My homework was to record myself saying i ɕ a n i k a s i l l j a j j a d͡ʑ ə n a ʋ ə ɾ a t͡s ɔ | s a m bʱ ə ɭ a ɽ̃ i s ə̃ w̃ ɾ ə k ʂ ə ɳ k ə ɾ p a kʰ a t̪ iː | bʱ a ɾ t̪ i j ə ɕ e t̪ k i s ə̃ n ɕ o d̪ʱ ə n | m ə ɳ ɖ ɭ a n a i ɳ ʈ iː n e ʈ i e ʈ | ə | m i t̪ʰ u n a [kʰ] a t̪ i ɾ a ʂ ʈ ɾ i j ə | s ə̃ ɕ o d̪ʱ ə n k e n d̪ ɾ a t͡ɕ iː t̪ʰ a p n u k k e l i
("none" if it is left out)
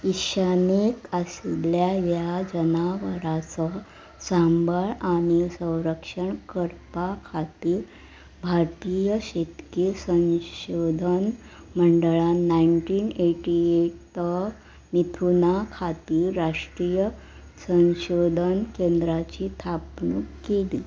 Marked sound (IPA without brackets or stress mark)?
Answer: kʰ